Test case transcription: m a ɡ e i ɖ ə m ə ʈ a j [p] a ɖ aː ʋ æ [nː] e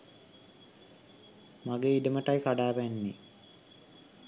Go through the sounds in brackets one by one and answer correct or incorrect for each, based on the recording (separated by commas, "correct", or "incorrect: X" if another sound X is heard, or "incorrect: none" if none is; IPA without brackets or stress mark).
incorrect: k, correct